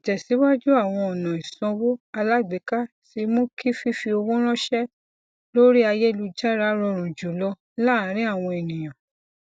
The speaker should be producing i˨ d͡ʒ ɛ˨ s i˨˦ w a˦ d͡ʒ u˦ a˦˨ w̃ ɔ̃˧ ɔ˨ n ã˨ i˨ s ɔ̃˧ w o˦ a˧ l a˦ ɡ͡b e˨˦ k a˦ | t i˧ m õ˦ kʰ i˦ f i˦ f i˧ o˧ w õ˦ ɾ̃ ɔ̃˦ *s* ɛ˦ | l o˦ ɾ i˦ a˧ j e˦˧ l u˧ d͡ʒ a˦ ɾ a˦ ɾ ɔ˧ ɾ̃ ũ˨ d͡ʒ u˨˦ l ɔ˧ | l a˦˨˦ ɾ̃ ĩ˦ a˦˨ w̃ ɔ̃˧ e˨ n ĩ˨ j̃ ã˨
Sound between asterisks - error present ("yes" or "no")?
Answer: yes